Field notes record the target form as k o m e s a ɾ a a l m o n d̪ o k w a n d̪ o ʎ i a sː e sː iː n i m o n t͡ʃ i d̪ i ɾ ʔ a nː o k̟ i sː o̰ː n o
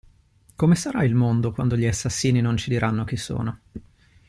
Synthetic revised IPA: k o m e s a ɾ a i l m o n d̪ o k w a n d̪ o ʎ i a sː a sː iː n i n o n t͡ʃ i d̪ i ɾ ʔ a nː o k̟ i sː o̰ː n o